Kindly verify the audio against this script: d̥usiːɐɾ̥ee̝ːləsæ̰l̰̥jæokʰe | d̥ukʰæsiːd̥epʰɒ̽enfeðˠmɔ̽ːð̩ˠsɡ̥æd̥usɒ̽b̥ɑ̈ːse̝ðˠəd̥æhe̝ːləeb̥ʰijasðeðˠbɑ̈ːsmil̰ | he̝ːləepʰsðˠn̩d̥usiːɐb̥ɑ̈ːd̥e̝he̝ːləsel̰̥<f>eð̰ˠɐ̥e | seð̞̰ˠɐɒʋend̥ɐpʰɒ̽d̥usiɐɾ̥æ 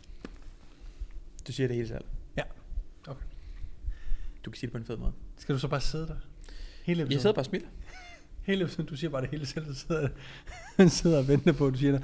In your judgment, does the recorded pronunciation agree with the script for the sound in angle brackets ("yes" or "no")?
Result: no